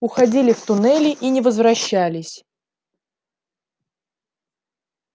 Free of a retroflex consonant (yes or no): yes